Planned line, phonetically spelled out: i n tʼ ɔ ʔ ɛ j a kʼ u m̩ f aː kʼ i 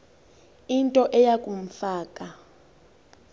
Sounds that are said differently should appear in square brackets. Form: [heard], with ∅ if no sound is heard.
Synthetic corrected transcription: i n tʼ ɔ ʔ ɛ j a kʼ u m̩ f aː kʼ [a]